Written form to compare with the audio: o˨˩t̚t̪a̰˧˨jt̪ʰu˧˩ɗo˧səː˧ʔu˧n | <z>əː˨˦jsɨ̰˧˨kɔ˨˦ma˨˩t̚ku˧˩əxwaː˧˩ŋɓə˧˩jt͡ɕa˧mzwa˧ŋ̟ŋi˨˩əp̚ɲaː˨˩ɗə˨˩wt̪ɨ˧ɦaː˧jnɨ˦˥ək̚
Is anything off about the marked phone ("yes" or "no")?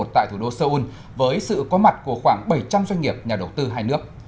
yes